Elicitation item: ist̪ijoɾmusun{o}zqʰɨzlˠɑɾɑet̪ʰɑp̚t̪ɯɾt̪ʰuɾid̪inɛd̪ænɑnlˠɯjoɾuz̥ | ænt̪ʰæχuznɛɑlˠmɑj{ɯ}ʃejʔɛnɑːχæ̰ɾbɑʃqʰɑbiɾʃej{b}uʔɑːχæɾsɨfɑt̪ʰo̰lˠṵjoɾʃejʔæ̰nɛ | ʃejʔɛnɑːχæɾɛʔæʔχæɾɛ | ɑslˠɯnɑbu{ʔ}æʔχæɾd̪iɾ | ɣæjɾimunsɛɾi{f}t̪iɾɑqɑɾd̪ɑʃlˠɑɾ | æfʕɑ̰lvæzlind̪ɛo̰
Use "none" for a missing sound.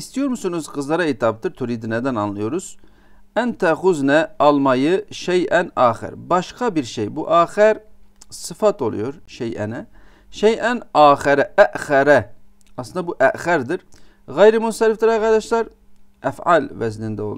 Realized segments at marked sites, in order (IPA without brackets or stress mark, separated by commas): u, ɯ, b, ʔ, f